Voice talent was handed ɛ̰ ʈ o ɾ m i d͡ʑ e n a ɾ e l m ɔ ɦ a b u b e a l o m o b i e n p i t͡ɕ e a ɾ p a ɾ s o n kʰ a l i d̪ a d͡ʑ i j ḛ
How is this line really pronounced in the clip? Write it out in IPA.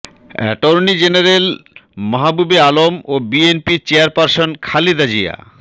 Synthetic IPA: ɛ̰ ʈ o ɾ n i d͡ʑ e n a ɾ e l m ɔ ɦ a b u b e a l o m o b i e n p i t͡ɕ e a ɾ p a ɾ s o n kʰ a l i d̪ a d͡ʑ i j a̰